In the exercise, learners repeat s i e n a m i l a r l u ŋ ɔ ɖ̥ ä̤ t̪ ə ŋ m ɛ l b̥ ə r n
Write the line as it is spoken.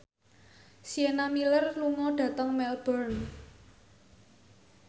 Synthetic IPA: s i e n a m i l ə r l u ŋ ɔ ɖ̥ ä̤ t̪ ə ŋ m ɛ l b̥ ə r n